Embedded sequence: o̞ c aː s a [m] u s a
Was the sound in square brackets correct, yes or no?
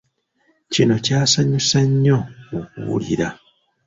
no